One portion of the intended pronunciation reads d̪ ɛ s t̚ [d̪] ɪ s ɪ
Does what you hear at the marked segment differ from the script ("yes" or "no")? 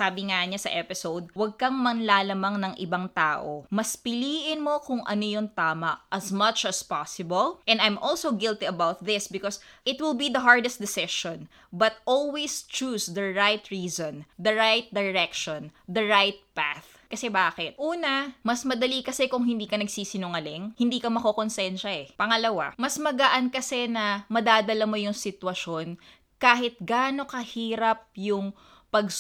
no